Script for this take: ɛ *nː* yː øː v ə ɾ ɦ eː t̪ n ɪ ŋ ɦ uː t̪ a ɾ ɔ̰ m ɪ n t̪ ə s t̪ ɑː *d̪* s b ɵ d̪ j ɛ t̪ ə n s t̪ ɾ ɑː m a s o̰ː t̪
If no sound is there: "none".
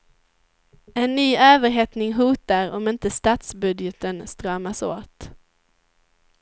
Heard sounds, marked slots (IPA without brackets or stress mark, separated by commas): nː, t̪